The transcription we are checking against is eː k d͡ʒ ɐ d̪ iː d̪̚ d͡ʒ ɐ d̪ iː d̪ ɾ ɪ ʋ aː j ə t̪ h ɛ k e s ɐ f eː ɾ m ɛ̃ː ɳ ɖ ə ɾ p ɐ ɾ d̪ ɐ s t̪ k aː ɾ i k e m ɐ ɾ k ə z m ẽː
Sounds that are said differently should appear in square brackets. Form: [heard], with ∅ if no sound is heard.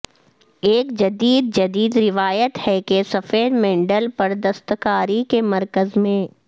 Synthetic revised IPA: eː k d͡ʒ ɐ d̪ iː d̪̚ d͡ʒ ɐ d̪ iː d̪ ɾ ɪ ʋ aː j ə t̪ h ɛ k e s ɐ f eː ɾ m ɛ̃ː ɳ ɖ ə [l] p ɐ ɾ d̪ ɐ s t̪ k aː ɾ i k e m ɐ ɾ k ə z m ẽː